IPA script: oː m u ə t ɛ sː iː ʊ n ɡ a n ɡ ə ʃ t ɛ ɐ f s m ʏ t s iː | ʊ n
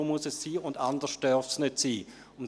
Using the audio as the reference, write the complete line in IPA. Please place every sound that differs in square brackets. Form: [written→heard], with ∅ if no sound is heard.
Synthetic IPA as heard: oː m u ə [t→s] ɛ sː iː ʊ n [ɡ→d] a n [ɡ→d] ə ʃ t [ɛ→œ] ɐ f s [m→n] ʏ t s iː | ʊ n

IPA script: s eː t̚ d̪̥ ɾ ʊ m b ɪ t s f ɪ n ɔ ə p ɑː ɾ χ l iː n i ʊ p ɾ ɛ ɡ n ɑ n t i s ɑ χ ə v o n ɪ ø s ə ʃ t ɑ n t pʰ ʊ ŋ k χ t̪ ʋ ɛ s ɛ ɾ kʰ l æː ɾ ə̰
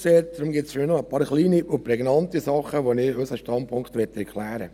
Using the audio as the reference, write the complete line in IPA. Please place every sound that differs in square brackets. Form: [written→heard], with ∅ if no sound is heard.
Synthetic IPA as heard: s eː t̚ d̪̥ ɾ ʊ m [b→ɡ] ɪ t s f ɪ n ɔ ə p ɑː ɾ χ l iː n i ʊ p ɾ ɛ ɡ n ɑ n t i s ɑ χ ə [v→ʋ] o n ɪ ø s ə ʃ t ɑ n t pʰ ʊ ŋ k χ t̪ ʋ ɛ [s→t] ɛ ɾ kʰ l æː ɾ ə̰

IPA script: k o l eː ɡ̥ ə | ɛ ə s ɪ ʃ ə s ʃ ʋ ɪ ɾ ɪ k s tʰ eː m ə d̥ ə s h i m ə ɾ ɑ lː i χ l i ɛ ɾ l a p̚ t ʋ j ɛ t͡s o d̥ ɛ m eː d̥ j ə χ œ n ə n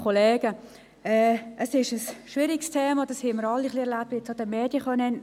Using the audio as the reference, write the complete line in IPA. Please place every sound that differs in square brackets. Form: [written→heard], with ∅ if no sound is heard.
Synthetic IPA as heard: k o l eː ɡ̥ ə | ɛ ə s ɪ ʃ ə s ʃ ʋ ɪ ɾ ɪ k s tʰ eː m [ə→ɑ] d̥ [ə→ɑ] s h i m ə ɾ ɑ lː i χ l i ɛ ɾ l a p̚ t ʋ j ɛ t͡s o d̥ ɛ m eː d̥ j ə χ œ n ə n

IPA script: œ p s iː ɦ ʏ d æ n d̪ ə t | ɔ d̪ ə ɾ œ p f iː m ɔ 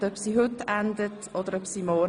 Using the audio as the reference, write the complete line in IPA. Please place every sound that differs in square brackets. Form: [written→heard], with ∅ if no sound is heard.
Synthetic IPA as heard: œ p s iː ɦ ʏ [d→t] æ n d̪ ə t | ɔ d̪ ə ɾ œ p [f→s] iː m ɔ

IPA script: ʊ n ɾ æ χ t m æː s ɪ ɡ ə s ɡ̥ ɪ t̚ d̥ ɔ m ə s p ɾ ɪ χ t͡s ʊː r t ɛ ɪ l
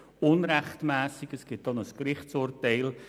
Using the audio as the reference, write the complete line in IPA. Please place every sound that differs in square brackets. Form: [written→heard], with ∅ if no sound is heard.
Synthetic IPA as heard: ʊ n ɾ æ χ t m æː s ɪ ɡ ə s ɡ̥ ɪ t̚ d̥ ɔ [m→n] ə s [p→k] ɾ ɪ χ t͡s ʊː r t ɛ ɪ l

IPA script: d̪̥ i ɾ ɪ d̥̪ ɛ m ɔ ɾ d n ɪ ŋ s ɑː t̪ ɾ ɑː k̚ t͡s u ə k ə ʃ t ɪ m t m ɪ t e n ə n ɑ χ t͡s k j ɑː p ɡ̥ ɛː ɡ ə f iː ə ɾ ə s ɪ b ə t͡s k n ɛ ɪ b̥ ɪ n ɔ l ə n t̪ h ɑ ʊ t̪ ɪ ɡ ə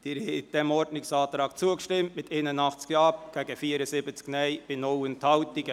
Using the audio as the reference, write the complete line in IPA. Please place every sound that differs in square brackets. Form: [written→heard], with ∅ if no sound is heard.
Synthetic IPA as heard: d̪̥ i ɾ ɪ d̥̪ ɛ m ɔ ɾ d n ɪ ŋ s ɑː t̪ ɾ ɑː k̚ t͡s u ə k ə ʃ t ɪ m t m ɪ t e n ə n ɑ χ t͡s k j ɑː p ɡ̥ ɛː ɡ ə f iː ə ɾ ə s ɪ b ə t͡s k n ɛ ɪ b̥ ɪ n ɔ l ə n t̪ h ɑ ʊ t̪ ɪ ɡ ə

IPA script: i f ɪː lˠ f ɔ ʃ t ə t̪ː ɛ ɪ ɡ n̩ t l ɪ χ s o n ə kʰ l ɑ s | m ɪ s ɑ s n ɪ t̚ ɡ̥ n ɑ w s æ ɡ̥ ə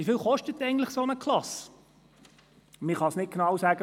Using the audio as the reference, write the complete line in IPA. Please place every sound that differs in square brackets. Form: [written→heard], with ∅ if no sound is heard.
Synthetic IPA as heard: i f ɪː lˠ [f→χ] ɔ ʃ t ə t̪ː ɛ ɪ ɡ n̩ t l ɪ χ s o n ə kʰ l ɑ s | m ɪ [s→χ] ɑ s n ɪ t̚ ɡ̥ n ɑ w s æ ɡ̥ ə

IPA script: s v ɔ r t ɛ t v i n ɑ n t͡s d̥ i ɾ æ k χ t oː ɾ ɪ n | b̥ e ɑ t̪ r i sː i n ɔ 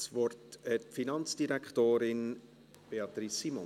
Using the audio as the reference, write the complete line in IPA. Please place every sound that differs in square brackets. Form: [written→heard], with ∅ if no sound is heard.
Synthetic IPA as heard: s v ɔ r t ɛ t [v→f] i n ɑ n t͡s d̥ i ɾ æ k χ t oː ɾ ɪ n | b̥ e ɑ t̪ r i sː i [n→m] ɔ

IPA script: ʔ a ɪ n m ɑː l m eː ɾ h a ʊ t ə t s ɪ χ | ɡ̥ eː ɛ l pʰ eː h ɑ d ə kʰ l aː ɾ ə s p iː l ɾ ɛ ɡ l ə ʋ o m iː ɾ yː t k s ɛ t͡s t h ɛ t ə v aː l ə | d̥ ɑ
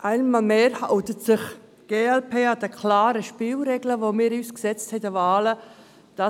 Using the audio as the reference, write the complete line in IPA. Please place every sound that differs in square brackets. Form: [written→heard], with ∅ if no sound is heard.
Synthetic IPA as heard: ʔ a ɪ n m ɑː l m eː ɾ h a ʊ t ə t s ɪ χ | ɡ̥ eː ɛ l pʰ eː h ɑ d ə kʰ l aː ɾ ə [s→ʃ] p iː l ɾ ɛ ɡ l ə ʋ o m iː ɾ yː [t→s] k s ɛ t͡s t h ɛ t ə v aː l ə | d̥ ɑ

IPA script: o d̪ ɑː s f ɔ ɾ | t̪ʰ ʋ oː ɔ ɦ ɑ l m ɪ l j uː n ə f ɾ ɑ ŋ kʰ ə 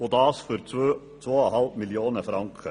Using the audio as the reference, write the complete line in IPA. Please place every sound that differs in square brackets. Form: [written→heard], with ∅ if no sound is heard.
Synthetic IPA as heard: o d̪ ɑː s f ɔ ɾ | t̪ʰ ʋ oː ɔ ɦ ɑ l m ɪ l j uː n ə f ɾ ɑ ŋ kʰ ə

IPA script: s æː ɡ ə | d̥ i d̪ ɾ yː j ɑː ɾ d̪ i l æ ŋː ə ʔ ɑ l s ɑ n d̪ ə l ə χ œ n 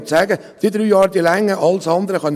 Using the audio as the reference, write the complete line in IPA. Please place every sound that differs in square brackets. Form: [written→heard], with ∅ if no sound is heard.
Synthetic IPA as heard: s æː ɡ ə | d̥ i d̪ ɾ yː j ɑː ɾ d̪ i l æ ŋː ə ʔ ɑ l s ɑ n d̪ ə [l→ɾ] ə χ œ n

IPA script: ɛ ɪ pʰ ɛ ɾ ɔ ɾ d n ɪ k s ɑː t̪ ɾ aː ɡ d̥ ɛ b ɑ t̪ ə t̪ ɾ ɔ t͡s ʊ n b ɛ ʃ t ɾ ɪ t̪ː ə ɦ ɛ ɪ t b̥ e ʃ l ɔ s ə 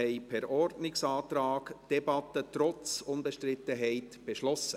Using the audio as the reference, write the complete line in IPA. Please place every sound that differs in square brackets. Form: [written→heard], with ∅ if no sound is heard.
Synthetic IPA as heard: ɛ ɪ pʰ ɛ ɾ ɔ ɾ d n ɪ k s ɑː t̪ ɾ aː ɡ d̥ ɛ b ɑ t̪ ə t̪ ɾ ɔ t͡s ʊ n b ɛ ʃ t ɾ ɪ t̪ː ə ɦ ɛ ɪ t b̥ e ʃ l ɔ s ə

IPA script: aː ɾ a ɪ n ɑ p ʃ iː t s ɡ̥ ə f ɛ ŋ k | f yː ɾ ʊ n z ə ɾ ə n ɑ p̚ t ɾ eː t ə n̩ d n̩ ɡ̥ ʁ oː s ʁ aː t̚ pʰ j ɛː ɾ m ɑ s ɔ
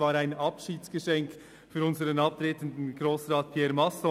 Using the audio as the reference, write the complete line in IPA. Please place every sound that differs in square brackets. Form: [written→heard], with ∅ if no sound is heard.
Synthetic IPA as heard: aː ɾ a ɪ n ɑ p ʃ iː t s ɡ̥ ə [f→ʃ] ɛ ŋ k | f yː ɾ ʊ n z ə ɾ ə n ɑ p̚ t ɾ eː t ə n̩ d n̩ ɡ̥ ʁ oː s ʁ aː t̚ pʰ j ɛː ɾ m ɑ s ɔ

